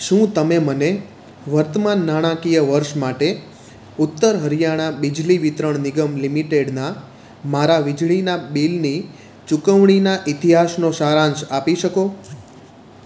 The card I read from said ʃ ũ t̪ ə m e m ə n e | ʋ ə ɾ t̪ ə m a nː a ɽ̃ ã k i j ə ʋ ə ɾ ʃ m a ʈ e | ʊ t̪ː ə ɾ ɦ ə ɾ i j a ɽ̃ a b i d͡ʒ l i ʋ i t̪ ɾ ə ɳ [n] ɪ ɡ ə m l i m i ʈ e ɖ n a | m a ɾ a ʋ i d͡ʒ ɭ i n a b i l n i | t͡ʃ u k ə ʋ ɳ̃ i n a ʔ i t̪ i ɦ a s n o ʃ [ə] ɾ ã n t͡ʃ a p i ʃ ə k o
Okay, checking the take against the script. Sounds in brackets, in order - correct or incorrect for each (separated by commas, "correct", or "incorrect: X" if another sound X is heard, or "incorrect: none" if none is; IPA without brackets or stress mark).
correct, incorrect: a